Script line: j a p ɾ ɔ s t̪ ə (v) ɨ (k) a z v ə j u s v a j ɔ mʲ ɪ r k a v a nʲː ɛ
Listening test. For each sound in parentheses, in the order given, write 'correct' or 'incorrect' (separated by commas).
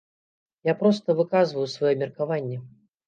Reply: correct, correct